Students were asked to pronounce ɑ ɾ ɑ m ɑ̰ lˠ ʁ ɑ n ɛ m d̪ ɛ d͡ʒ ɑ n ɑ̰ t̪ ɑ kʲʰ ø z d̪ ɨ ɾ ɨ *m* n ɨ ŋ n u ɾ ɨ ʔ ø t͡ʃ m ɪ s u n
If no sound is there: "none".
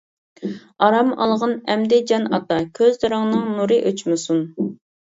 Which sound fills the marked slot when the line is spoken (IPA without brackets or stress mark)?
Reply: ŋ